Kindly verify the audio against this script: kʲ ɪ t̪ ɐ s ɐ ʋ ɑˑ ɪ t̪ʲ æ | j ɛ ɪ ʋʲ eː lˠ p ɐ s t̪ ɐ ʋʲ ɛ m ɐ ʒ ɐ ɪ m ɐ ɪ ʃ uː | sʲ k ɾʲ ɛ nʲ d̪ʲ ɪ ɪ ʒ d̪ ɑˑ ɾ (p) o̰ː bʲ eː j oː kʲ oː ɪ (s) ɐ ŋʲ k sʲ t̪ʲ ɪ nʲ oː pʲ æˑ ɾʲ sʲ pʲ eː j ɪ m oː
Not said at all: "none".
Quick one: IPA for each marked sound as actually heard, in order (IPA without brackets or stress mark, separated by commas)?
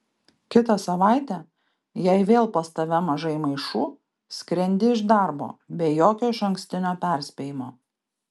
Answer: b, ʃ